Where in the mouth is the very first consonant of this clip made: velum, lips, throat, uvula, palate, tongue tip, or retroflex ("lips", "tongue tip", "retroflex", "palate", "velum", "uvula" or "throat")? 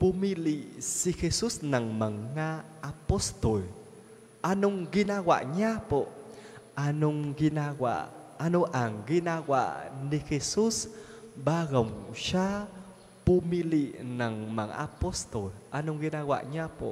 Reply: lips